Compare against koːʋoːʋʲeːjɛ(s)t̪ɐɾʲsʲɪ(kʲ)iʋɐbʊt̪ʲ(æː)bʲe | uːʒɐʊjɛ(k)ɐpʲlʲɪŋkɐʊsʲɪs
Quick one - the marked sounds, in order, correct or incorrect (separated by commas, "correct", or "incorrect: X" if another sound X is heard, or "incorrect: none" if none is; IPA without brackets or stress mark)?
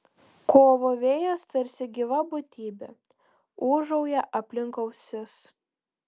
correct, incorrect: ɡʲ, incorrect: iː, incorrect: ʔ